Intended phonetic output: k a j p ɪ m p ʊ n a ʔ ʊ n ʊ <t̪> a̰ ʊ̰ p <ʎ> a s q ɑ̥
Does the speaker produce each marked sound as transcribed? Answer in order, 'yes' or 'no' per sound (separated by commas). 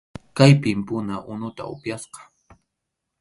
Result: yes, no